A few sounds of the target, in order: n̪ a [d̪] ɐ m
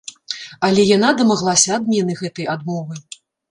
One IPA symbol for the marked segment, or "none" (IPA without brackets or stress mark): d̪